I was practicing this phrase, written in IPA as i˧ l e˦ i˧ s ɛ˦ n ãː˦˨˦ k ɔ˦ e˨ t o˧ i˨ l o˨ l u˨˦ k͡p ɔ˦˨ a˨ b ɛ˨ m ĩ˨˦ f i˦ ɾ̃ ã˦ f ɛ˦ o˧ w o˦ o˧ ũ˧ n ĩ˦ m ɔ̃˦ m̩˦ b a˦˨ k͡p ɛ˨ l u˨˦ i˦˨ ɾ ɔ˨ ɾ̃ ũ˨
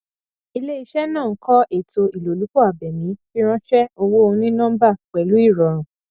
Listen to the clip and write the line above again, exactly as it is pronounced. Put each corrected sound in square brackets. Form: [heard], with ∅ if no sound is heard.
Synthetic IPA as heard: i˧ l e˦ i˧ [ʃ] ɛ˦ n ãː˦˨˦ k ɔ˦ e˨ t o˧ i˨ l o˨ l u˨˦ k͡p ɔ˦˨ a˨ b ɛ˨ m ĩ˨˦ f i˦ ɾ̃ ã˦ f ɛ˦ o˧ w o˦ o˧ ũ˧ n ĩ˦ [n] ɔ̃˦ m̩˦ b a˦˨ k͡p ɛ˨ l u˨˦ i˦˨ ɾ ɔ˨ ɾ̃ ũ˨